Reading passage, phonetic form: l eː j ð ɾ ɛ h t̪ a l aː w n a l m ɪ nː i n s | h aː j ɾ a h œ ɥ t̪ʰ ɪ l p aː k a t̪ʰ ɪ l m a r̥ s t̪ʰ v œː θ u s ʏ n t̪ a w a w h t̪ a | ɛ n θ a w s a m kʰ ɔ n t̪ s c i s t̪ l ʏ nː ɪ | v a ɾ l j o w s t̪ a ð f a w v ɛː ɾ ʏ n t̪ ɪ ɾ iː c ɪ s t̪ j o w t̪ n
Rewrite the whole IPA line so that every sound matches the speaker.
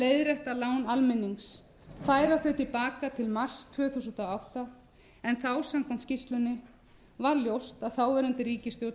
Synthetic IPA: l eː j ð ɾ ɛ h t̪ a l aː w n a l m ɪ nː i ŋ s | f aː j ɾ a θ œ ɥ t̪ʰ ɪ l p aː k a t̪ʰ ɪ l m a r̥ s t̪ʰ v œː θ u s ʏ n t̪ a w a w h t̪ a | ɛ n θ a w s a m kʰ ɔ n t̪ s c i s t̪ l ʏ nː ɪ | v a ɾ l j o w s t̪ a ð θ a w v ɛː ɾ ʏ n t̪ ɪ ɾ iː c ɪ s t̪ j o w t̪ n